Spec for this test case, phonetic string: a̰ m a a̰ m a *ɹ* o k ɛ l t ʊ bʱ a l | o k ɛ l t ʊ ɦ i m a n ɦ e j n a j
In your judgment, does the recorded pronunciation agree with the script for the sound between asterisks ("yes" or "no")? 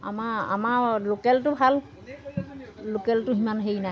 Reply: no